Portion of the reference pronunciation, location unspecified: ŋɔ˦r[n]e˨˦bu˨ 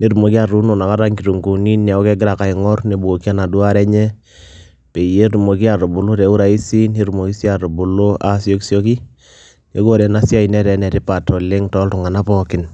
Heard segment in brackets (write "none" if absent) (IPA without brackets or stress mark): n